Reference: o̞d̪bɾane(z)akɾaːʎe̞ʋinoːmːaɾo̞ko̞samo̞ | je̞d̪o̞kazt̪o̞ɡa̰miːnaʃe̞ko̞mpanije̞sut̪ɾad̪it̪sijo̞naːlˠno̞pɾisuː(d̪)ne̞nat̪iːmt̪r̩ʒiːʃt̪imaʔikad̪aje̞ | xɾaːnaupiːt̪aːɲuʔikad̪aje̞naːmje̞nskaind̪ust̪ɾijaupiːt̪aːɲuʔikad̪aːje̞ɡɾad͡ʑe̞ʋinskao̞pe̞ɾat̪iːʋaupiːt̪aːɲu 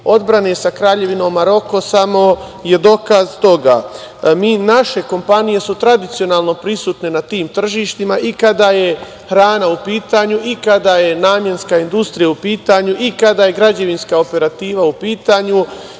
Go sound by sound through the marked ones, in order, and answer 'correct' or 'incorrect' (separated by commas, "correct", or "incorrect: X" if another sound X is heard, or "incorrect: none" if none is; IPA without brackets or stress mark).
incorrect: s, incorrect: t̪